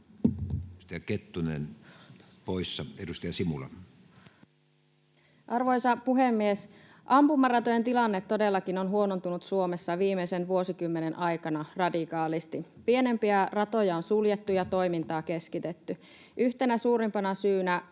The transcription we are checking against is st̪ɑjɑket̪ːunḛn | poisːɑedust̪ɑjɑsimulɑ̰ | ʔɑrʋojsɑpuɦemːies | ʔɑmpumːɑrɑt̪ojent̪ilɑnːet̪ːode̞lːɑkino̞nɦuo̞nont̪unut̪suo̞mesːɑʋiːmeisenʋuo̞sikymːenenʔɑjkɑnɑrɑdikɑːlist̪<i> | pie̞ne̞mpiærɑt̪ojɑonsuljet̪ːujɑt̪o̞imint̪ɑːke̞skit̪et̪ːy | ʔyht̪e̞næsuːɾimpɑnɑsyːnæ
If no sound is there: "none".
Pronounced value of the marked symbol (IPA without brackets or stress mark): i